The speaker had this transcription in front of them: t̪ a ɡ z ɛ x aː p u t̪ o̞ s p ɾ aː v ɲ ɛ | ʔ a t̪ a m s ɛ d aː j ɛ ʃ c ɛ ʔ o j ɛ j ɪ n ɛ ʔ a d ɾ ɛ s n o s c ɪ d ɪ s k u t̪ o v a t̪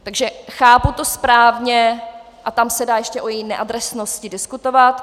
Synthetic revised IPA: t̪ a ɡ ʒ ɛ x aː p u t̪ o̞ s p ɾ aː v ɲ ɛ | ʔ a t̪ a m s ɛ d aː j ɛ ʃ c ɛ ʔ o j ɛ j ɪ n ɛ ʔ a d ɾ ɛ s n o s c ɪ d ɪ s k u t̪ o v a t̪